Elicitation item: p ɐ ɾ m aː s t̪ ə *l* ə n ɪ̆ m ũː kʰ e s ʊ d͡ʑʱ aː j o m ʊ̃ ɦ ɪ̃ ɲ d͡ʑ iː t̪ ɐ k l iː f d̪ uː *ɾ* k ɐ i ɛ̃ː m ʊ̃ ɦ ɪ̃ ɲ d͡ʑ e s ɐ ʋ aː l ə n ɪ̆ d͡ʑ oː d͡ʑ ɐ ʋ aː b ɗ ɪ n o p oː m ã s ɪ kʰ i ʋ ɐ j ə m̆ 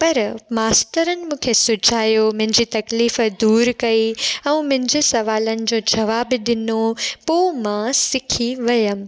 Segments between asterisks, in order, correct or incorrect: incorrect: ɾ, correct

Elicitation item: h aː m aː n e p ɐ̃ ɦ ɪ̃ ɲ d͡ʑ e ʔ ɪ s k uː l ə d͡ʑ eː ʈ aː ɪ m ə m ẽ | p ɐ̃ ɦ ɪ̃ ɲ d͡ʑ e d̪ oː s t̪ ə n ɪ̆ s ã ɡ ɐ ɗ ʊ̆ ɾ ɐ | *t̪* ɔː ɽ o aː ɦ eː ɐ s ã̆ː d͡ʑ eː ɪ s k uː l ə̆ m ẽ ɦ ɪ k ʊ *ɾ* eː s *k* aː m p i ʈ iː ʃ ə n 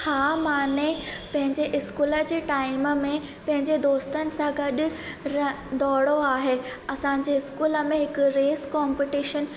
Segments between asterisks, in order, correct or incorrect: incorrect: d̪, correct, correct

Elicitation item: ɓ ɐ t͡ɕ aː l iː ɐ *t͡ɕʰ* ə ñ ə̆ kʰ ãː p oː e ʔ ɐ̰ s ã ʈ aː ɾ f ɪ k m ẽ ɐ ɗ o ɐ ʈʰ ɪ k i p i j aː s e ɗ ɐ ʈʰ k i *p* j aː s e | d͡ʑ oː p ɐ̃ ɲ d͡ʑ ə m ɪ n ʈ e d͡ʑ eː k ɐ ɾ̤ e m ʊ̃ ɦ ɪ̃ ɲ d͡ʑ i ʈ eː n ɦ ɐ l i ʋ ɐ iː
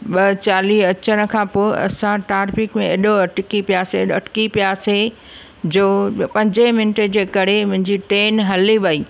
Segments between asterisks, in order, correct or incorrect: incorrect: t͡ɕ, correct

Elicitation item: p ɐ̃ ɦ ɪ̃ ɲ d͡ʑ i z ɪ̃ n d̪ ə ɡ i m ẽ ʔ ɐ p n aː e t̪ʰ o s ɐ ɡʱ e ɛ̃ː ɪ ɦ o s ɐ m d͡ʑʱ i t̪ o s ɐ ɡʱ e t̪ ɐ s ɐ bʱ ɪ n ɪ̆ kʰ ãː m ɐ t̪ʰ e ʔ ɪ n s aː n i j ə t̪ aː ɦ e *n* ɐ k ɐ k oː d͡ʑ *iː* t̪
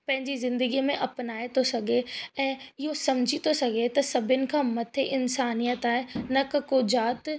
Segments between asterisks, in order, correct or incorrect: correct, incorrect: aː

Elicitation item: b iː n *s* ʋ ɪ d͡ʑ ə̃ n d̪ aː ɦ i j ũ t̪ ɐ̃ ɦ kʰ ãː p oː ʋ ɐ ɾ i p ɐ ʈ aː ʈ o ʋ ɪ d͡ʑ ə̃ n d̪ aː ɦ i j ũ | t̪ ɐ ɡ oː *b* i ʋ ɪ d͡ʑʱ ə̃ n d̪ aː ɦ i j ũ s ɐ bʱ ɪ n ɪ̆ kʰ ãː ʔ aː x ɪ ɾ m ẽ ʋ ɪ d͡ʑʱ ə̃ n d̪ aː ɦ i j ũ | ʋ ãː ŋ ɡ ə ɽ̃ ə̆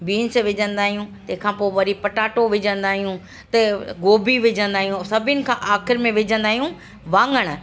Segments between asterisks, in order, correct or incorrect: correct, correct

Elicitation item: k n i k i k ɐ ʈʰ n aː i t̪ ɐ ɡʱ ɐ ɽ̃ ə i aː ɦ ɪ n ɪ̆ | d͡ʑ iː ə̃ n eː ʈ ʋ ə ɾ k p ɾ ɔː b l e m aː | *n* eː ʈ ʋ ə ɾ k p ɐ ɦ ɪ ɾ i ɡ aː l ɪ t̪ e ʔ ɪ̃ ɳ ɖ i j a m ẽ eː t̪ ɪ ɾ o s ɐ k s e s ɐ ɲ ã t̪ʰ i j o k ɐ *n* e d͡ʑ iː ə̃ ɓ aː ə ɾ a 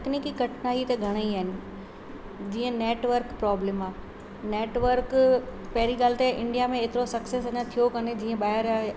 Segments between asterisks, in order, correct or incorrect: correct, correct

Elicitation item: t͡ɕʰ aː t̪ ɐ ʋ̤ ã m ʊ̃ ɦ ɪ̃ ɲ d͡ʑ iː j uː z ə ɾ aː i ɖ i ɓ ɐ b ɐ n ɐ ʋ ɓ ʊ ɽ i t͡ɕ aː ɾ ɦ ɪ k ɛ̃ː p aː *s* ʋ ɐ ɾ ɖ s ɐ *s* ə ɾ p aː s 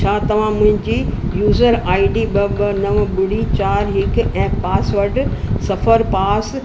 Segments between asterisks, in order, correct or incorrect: correct, incorrect: f

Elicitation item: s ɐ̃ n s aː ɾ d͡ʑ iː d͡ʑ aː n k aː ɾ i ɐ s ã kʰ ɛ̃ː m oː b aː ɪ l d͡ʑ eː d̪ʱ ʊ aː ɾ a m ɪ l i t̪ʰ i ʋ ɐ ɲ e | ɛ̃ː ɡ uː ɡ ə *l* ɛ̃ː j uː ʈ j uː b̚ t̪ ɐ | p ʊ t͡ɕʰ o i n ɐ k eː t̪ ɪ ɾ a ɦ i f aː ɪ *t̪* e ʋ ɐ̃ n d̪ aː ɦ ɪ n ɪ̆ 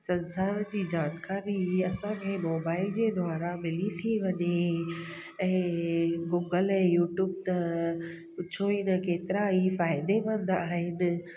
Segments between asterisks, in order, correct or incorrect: correct, incorrect: d̪

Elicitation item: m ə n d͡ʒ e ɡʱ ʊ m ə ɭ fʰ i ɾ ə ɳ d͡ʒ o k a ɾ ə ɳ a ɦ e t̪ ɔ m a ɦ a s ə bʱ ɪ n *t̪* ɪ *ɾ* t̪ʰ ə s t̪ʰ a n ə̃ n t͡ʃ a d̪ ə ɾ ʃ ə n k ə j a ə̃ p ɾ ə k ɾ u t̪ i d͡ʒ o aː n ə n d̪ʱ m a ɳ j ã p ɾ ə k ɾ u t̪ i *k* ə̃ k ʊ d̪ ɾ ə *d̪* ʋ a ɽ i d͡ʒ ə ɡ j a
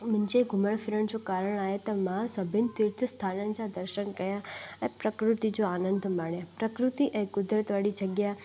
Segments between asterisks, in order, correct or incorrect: correct, correct, incorrect: ʔ, incorrect: t̪

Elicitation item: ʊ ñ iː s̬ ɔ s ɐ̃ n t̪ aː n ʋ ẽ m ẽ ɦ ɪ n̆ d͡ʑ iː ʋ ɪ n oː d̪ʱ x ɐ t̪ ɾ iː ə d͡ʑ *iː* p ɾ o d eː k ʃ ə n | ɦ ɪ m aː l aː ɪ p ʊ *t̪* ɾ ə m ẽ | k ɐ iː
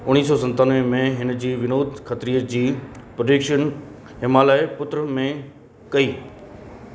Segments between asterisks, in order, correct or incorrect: correct, correct

